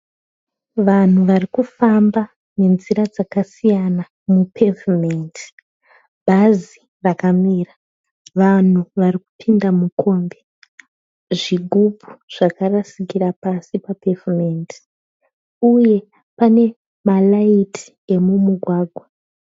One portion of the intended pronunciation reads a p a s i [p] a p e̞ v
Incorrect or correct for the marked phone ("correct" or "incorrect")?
correct